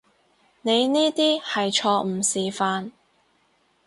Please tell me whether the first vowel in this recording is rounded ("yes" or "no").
no